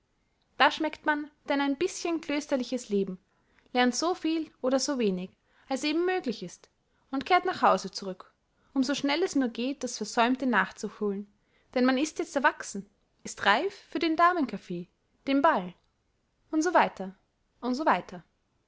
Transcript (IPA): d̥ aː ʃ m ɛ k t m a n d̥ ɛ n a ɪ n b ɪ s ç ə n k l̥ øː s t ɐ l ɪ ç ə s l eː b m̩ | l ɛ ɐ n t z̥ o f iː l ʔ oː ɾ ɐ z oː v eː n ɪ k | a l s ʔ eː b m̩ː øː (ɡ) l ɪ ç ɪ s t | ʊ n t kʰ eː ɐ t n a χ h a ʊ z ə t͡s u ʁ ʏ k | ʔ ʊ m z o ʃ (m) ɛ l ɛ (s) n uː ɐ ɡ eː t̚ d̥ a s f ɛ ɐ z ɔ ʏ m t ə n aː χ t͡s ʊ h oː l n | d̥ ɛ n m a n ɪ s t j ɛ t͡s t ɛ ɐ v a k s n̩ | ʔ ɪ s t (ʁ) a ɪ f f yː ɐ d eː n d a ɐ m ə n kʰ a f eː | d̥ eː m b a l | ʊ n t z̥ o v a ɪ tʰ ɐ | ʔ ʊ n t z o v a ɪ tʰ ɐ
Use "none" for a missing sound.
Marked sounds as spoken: ɡ, n, s, ʁ

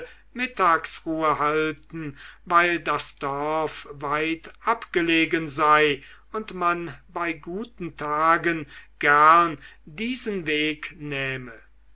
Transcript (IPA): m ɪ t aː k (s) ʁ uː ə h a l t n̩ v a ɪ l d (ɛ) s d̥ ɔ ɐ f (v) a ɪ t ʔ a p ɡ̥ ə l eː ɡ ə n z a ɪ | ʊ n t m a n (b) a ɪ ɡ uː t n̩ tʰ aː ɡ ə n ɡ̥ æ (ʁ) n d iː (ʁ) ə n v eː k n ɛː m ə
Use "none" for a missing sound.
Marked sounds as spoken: s, a, v, b, ʁ, z

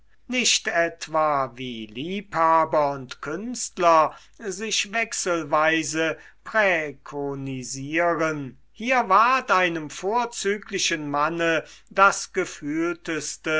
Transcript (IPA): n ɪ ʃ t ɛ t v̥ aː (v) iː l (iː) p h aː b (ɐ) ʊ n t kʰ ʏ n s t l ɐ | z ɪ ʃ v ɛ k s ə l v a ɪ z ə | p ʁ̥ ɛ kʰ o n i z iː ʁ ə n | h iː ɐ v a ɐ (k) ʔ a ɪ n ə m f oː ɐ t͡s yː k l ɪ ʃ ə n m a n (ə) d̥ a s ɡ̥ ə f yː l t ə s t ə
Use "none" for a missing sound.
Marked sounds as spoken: v, iː, ɐ, t, ə

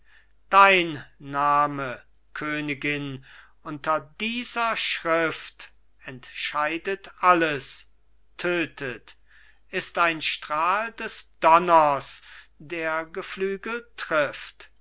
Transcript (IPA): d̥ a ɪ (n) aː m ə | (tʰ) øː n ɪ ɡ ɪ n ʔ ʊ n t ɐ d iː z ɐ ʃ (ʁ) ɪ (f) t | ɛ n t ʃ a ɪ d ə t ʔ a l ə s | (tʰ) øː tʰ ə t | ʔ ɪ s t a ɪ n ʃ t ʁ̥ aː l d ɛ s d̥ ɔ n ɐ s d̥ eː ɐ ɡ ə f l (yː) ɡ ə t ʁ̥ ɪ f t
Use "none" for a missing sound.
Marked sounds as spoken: nː, kʰ, ʁ, f, tʰ, yː

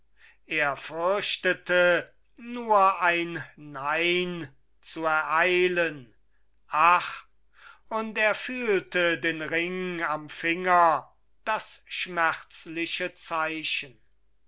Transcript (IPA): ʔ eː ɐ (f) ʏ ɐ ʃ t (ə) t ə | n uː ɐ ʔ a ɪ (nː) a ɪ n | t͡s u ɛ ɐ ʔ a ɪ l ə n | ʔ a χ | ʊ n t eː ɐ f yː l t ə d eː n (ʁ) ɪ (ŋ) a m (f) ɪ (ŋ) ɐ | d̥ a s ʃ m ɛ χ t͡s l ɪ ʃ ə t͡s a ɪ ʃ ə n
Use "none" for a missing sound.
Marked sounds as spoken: f, ə, nː, ʁ, ŋ, f, ŋ

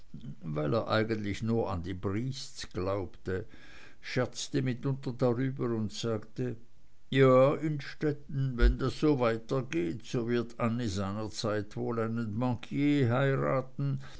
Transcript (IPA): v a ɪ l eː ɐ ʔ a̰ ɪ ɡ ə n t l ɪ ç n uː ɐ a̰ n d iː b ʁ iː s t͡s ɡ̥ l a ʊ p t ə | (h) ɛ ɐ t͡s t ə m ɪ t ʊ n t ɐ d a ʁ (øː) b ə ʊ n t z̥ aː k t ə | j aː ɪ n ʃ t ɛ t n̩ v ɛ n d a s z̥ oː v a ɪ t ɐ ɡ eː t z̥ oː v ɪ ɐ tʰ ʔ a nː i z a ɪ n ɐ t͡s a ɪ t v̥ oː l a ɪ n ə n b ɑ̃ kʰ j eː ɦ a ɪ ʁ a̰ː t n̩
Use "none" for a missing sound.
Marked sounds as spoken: ʃ, yː

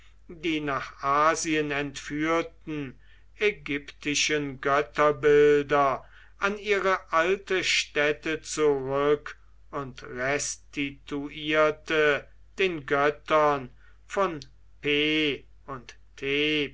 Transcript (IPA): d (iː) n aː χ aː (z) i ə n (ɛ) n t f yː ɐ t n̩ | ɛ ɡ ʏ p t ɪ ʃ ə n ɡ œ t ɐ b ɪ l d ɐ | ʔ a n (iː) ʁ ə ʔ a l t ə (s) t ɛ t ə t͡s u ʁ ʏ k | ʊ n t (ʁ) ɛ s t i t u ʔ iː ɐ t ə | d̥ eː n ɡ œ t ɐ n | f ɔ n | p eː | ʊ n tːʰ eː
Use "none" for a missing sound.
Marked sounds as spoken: iː, z, ɛ, iː, ʃ, ʁ

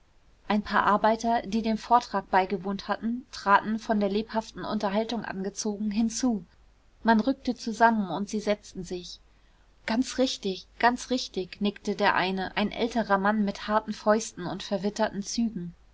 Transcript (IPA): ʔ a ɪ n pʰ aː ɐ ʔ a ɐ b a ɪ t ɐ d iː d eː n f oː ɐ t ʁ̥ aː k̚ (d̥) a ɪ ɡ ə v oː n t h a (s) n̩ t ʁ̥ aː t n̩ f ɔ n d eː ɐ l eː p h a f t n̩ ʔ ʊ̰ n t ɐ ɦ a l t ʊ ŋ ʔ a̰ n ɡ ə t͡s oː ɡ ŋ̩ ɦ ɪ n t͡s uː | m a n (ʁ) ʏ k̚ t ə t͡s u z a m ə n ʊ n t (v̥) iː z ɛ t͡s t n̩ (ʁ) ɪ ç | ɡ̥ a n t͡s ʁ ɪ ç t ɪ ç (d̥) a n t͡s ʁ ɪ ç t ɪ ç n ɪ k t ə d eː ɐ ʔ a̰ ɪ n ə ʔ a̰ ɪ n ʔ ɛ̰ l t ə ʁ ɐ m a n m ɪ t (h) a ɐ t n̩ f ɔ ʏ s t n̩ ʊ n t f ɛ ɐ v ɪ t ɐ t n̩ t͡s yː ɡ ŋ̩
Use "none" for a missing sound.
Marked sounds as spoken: b̥, t, ʁ, z̥, z, ɡ̥, h

